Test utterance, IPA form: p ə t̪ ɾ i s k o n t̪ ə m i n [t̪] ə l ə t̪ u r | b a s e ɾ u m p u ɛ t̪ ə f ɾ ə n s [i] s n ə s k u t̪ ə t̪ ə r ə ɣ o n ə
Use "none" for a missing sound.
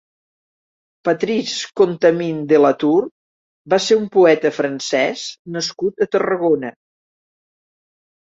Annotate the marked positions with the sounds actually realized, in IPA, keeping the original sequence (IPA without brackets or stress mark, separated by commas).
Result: d̪, ɛ